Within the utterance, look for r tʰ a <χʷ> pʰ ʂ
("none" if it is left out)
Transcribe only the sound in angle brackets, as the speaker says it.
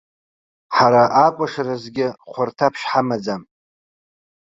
none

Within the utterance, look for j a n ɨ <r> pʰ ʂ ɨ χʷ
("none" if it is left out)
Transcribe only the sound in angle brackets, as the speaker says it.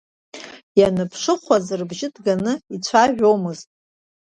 none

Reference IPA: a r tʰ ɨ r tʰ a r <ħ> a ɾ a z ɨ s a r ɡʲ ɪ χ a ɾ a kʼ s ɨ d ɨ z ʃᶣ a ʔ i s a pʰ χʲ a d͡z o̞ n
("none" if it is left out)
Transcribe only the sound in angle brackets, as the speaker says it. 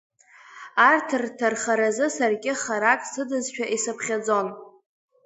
χ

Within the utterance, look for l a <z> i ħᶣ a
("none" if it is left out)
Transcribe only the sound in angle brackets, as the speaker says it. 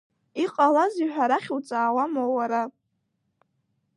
z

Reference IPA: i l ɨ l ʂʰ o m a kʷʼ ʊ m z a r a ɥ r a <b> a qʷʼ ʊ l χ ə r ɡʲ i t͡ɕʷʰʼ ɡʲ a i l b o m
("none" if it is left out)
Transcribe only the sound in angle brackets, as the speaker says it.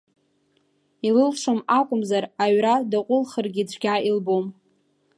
d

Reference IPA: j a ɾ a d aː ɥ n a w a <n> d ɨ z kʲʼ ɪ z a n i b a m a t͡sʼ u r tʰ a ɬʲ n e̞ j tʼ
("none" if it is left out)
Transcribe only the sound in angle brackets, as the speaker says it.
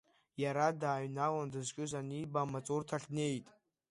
n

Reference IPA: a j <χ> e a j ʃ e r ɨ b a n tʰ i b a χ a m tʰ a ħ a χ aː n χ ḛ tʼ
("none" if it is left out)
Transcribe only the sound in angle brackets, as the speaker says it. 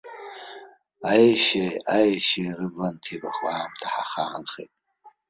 ʃ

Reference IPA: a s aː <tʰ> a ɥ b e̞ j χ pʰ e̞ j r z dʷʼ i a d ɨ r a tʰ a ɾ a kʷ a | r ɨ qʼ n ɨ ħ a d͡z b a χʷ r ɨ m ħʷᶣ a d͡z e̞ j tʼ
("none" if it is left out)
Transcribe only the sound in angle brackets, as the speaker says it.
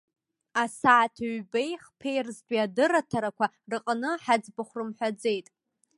tʰ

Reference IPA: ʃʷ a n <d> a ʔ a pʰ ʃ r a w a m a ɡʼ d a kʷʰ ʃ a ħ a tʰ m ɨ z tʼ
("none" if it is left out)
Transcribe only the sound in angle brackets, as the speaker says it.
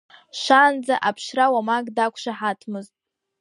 d͡z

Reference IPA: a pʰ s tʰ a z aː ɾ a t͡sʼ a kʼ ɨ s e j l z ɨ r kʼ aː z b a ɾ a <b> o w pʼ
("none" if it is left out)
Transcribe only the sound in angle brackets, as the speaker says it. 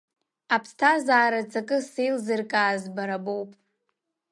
b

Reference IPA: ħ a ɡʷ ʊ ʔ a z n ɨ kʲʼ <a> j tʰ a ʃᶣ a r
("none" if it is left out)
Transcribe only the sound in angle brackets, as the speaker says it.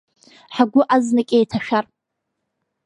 e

